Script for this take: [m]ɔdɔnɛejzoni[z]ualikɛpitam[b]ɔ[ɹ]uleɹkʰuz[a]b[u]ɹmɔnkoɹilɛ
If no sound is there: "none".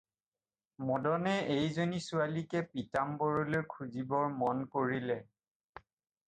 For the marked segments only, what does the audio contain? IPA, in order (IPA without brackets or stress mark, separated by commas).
m, s, b, ɹ, i, ɔ